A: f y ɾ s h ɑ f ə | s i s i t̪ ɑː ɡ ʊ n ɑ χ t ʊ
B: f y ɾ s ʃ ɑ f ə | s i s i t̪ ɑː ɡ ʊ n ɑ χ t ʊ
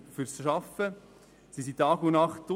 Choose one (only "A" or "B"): B